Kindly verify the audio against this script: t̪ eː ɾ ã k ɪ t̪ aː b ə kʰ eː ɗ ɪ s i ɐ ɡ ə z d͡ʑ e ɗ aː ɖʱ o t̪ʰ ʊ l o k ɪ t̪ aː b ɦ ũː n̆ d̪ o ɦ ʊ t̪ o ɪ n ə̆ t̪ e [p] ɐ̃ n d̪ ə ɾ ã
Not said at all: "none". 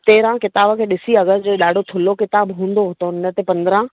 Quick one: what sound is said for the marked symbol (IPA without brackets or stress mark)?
p